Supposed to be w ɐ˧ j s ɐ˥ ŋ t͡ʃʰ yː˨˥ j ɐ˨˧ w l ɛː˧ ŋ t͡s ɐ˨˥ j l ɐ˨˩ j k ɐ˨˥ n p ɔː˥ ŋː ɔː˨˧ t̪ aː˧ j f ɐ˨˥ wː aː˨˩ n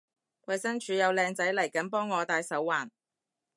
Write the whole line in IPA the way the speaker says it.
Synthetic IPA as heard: w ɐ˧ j s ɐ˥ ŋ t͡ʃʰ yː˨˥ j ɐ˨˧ w l ɛː˧ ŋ t͡s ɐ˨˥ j l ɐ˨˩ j k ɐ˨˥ n p ɔː˥ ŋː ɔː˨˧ t̪ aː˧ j s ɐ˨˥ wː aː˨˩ n